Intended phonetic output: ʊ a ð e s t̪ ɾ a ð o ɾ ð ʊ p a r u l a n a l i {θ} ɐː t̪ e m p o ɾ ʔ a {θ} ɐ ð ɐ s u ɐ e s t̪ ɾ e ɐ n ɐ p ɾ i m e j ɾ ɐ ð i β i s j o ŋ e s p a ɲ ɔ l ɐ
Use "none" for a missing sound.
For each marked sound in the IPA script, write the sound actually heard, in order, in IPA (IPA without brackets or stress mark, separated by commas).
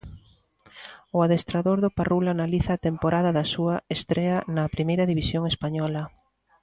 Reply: θ, ð